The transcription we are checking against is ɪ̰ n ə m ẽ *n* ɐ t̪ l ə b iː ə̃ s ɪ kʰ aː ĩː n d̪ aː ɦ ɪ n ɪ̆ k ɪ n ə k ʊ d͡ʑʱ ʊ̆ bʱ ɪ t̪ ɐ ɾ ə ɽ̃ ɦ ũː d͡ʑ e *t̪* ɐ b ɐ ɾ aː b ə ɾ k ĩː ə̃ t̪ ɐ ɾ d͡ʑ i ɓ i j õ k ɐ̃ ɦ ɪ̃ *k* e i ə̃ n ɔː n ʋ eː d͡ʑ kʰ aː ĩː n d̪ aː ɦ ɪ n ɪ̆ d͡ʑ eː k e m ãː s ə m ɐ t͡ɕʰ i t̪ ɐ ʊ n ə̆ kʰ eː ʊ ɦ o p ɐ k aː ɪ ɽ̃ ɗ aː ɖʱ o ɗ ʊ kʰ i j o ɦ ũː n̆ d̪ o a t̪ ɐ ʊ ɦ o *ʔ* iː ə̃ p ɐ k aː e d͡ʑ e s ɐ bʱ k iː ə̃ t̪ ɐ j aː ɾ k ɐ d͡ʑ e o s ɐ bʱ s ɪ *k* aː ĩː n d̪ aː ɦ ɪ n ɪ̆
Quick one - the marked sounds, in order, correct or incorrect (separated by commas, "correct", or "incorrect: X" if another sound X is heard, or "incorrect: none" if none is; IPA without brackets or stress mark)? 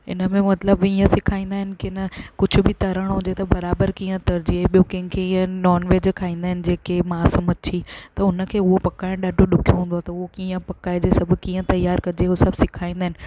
incorrect: m, correct, incorrect: kʰ, incorrect: k, incorrect: kʰ